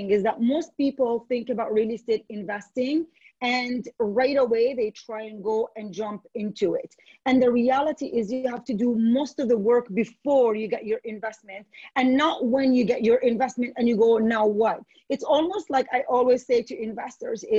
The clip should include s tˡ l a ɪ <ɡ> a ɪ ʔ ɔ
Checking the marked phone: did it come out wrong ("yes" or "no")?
yes